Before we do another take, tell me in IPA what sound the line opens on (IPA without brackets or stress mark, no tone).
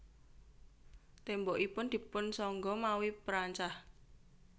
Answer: t̪